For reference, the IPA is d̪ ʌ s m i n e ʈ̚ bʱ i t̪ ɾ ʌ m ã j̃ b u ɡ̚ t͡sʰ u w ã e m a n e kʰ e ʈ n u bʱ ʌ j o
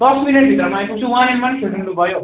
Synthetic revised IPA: d̪ ʌ s m i n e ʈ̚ bʱ i t̪ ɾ ʌ m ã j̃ p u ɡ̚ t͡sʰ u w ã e m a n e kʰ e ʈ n u bʱ ʌ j o